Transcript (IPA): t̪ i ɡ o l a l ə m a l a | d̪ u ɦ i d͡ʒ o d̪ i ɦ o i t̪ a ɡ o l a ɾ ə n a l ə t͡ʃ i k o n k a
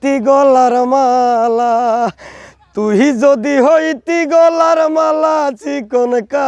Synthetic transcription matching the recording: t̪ i ɡ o l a ɾ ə m a l a | t̪ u ɦ i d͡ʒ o d̪ i ɦ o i t̪ i ɡ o l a ɾ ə m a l a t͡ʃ i k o n k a